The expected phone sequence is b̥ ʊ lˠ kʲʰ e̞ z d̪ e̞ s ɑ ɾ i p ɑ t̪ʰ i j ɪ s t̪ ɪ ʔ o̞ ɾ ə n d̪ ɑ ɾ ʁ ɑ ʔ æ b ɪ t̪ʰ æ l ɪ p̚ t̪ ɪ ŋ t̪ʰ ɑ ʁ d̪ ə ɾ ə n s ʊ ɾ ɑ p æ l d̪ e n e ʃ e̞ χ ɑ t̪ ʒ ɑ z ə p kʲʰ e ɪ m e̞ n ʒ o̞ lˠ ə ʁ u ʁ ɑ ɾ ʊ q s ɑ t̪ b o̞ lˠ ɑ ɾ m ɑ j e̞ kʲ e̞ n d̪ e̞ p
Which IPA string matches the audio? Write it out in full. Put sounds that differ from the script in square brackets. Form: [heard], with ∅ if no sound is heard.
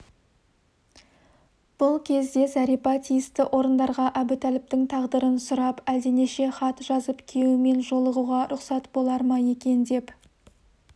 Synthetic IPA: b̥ ʊ lˠ kʲʰ e̞ z d̪ e̞ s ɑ ɾ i p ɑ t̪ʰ i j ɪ s t̪ ɪ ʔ o̞ ɾ ə n d̪ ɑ ɾ ʁ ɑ ʔ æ b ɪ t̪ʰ æ l ɪ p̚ t̪ ɪ ŋ t̪ʰ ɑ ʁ d̪ ə ɾ ə n s ʊ ɾ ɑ p æ l d̪ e n e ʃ e̞ χ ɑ t̪ ʒ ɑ z ə p kʲʰ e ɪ m e̞ n ʒ o̞ lˠ ə ʁ u ʁ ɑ ɾ ʊ q s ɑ t̪ b o̞ lˠ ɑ ɾ m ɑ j e̞ kʲ e̞ n d̪ e̞ p